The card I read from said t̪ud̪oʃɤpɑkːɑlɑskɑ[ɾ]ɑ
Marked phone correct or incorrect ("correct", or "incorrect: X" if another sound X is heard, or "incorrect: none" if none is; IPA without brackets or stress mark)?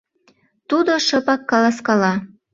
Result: incorrect: l